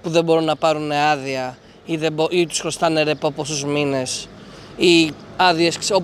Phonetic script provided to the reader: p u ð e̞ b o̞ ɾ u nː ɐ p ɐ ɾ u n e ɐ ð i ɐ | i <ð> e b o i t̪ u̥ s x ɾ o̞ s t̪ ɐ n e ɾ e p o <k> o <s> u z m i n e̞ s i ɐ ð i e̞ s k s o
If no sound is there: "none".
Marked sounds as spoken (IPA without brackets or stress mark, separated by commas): ð, p, s